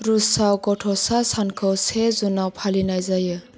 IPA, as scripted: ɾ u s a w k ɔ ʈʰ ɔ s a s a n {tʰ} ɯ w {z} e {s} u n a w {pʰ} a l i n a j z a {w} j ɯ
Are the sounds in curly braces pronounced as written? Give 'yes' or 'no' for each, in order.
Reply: no, no, no, yes, no

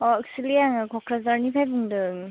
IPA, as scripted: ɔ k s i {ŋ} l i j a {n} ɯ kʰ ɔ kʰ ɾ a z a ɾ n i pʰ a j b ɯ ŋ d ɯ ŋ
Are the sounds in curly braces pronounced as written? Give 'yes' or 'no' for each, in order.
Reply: no, no

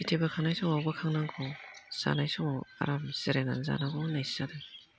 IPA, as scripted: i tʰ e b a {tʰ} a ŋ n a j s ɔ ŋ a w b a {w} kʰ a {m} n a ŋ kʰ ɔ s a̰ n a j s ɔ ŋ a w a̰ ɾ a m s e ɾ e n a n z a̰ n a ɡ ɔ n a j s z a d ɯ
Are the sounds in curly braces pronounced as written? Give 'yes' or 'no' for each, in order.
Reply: no, no, no

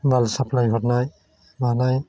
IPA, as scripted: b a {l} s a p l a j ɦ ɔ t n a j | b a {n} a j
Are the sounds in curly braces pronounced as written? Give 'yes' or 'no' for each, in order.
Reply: yes, yes

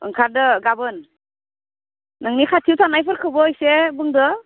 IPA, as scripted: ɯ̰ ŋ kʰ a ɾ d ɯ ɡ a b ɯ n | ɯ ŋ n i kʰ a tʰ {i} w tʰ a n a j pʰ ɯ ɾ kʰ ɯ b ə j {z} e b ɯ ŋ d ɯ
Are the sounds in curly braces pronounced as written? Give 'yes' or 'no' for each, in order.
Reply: yes, no

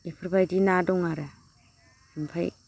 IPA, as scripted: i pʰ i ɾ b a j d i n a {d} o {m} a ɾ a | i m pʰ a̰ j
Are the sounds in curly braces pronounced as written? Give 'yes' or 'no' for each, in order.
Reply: yes, no

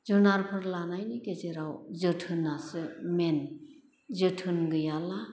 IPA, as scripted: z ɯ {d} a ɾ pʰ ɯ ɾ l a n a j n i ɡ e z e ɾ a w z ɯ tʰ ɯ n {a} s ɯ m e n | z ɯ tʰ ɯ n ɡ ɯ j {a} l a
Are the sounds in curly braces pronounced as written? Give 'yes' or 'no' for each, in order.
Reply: no, yes, yes

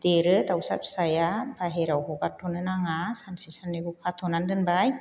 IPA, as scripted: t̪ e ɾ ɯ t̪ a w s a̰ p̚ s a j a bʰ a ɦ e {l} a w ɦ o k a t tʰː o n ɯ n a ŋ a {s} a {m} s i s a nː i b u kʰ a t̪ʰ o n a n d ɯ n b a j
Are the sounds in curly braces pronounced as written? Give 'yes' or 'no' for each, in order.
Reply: no, yes, no

